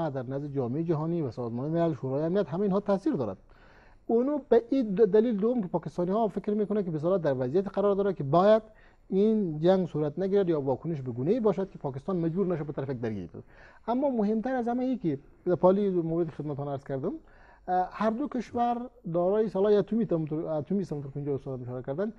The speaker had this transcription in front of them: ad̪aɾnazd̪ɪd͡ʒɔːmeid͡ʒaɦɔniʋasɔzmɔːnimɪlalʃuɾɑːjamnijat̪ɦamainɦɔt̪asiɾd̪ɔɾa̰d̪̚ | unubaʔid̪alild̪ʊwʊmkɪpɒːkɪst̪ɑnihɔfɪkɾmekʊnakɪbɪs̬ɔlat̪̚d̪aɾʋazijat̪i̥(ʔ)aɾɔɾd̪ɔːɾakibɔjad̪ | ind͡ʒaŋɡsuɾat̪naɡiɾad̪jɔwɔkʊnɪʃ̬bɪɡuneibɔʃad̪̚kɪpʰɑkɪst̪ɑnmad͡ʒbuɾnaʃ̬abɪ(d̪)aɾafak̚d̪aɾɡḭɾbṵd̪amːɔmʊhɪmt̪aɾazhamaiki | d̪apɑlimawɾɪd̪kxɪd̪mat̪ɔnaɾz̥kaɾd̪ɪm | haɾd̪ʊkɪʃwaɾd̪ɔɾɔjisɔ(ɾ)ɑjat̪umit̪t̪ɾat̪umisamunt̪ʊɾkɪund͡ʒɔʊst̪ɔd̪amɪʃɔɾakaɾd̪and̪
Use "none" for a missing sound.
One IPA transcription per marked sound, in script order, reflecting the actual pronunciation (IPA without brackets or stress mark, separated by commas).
q, t̪, l